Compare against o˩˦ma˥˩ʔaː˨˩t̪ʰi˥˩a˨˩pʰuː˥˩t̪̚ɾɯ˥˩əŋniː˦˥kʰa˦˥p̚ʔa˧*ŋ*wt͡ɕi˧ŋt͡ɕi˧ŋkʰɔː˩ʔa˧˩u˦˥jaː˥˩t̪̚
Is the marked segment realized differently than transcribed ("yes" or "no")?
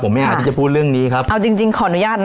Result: yes